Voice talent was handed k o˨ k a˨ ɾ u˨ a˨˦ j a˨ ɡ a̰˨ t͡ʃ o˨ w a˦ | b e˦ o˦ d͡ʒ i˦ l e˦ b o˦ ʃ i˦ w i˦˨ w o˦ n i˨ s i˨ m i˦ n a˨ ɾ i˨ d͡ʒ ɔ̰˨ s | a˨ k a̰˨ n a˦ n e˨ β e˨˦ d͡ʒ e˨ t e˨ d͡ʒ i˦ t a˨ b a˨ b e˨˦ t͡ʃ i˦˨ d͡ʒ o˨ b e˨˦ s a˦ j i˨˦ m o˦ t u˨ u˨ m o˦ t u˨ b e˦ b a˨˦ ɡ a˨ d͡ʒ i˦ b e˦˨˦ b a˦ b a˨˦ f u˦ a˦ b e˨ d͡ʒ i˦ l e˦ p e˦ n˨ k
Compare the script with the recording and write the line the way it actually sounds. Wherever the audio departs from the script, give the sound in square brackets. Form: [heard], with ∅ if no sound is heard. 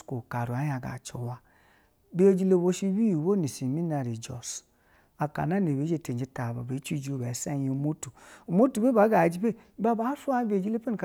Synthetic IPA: k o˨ k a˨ ɾ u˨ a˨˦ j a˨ ɡ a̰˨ t͡ʃ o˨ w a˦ | b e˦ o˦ d͡ʒ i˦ l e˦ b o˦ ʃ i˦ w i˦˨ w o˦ n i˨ s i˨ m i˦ n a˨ ɾ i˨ d͡ʒ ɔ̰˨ s | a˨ k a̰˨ n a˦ n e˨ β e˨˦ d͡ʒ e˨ t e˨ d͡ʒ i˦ t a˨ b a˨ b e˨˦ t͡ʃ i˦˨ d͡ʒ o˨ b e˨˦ s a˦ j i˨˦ m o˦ t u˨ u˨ m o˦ t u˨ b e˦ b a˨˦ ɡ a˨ d͡ʒ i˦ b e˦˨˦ b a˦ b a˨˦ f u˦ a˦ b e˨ d͡ʒ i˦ l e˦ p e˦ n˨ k